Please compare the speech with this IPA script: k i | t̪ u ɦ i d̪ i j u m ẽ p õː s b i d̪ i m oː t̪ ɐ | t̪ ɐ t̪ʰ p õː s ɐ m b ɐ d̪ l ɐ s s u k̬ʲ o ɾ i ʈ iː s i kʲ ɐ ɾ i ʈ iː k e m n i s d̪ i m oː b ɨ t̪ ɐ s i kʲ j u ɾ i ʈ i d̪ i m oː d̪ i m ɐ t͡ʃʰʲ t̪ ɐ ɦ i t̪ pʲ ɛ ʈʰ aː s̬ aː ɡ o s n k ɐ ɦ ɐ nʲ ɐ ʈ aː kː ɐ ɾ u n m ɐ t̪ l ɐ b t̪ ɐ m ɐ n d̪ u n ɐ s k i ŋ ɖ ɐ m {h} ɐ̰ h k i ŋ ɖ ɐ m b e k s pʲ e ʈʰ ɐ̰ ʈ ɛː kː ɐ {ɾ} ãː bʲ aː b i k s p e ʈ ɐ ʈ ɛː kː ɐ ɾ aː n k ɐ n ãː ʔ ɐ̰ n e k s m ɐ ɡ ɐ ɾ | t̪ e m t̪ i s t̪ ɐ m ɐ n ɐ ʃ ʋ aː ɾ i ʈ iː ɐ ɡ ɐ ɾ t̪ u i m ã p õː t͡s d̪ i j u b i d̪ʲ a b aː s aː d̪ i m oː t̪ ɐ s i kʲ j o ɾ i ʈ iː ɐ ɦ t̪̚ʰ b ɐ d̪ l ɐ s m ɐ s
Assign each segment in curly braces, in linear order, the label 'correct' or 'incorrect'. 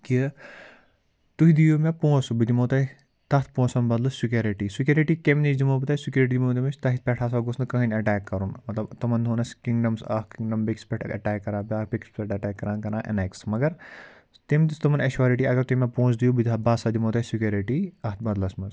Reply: incorrect: s, correct

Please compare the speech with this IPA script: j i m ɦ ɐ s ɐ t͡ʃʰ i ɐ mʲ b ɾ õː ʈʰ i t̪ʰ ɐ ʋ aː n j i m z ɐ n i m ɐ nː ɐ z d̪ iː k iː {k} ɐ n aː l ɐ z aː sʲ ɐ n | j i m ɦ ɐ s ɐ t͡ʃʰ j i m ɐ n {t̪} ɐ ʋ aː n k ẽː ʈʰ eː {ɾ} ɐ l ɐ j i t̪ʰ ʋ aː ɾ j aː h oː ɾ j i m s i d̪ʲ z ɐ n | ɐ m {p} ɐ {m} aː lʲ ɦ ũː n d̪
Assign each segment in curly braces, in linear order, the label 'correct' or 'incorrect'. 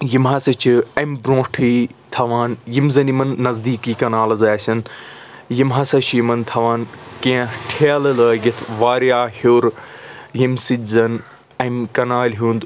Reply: correct, incorrect: t̪ʰ, incorrect: l, incorrect: k, incorrect: n

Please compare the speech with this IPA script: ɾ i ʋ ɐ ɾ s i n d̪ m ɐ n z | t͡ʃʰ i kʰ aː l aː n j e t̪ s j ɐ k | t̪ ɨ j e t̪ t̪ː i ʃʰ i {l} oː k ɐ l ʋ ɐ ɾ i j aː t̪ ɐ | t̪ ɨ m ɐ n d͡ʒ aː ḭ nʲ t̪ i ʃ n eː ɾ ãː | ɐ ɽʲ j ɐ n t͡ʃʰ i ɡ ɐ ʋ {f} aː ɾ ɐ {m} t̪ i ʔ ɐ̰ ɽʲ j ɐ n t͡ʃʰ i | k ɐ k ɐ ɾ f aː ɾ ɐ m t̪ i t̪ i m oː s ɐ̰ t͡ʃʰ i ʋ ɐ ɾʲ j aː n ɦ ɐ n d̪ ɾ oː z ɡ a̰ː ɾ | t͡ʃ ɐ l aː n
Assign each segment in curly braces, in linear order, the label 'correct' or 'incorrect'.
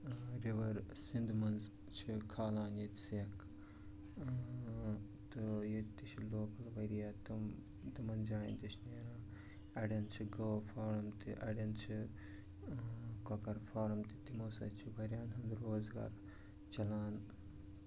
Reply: correct, correct, correct

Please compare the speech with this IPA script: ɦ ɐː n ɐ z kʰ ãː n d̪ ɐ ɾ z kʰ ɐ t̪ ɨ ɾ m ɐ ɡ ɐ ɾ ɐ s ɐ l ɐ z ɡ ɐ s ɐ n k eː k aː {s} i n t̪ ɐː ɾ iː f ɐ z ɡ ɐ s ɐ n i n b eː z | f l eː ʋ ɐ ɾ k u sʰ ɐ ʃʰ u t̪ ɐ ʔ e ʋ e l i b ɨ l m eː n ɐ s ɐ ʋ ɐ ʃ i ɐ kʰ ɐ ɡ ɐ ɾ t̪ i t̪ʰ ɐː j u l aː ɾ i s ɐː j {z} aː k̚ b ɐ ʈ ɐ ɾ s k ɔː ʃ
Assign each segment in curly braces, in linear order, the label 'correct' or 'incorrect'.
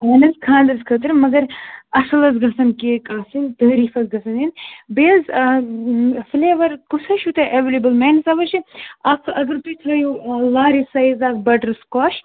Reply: correct, correct

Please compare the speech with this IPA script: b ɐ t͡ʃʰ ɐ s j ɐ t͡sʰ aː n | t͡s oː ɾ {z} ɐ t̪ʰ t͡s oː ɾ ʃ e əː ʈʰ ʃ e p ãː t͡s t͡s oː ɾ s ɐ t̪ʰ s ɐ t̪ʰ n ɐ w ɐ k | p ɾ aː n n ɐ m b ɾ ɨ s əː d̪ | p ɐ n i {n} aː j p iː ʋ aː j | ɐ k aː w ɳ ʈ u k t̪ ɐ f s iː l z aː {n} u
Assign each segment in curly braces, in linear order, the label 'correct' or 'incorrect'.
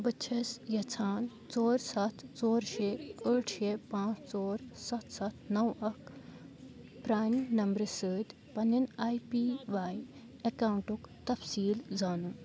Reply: incorrect: s, correct, correct

